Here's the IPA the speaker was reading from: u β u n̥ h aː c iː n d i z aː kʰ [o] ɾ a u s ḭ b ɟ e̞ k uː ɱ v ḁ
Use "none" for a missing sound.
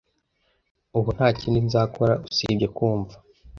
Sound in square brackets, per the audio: o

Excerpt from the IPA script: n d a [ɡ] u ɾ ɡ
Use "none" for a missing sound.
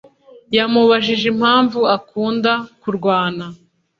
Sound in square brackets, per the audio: k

